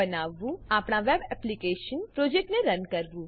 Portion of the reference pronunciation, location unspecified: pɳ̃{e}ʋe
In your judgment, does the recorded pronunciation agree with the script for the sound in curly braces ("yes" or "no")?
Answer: no